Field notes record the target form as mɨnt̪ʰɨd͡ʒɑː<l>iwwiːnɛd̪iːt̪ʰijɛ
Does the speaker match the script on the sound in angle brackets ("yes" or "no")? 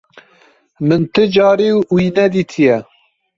no